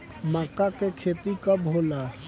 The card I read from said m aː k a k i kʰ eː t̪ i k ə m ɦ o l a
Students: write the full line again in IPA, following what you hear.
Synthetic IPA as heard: m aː k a k e kʰ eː t̪ i k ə b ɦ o l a